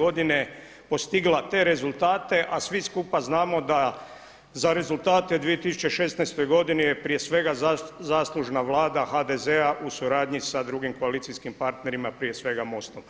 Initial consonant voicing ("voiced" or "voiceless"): voiced